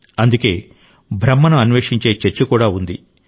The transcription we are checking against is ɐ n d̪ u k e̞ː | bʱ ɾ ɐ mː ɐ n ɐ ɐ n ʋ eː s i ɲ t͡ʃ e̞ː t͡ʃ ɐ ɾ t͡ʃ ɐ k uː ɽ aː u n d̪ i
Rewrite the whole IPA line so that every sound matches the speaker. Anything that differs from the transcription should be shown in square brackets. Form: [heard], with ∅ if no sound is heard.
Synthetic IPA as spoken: ɐ n d̪ u k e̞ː | bʱ ɾ ɐ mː ɐ n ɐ ɐ n ʋ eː [ʂ] i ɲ t͡ʃ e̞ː t͡ʃ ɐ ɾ t͡ʃ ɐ k uː ɽ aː u n d̪ i